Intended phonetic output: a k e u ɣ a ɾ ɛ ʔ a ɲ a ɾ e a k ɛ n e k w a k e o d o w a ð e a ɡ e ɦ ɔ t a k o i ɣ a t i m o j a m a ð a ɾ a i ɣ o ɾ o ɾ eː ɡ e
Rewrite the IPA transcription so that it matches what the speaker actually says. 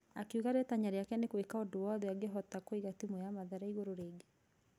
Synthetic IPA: a k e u ɣ a ɾ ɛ t a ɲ a ɾ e a k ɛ n e k w e k a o d o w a ð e a ɡ e ɦ ɔ t a k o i ɣ a t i m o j a m a ð a ɾ a i ɣ o ɾ o ɾ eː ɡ e